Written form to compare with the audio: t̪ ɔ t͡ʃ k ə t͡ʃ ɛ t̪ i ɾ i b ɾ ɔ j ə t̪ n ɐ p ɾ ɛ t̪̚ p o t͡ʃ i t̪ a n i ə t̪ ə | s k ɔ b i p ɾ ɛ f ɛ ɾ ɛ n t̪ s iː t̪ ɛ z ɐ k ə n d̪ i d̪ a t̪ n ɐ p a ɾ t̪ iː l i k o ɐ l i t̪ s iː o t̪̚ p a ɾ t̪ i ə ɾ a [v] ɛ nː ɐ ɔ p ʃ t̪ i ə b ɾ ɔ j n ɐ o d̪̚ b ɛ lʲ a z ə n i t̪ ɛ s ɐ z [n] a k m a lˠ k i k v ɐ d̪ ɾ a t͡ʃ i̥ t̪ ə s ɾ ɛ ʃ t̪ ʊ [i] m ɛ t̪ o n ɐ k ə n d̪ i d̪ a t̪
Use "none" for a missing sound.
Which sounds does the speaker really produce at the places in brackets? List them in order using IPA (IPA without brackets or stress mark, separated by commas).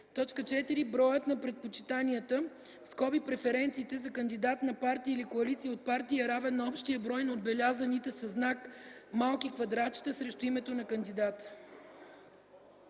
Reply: v, n, i